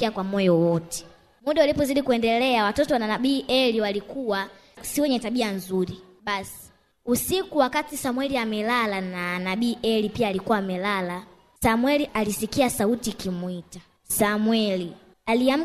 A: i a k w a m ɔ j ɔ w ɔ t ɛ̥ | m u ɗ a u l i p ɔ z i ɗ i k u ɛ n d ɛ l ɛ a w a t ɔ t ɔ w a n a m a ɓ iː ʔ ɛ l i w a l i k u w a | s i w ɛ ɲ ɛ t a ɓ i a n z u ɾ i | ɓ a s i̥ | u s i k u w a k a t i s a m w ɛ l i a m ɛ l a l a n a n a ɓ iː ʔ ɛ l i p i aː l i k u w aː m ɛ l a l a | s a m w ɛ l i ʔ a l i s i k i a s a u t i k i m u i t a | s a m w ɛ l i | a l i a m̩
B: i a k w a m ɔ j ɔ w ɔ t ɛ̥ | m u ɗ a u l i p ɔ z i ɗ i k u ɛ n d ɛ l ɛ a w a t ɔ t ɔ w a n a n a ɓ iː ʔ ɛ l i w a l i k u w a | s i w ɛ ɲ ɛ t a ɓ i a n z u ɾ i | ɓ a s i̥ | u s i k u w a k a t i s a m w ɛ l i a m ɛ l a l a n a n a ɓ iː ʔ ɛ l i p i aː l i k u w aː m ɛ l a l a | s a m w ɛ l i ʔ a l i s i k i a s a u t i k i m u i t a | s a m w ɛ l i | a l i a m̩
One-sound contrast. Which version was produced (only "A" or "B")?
B